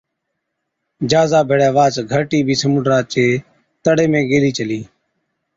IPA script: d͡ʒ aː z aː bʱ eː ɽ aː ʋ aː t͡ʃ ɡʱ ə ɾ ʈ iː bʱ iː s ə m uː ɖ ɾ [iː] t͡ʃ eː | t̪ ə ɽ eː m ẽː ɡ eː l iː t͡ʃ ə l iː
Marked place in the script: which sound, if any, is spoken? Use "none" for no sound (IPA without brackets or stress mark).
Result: aː